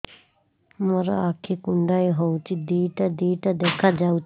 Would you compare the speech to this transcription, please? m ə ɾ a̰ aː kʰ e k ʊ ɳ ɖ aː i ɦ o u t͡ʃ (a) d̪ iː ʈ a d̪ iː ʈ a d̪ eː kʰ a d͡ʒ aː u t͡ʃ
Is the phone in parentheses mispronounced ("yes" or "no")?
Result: yes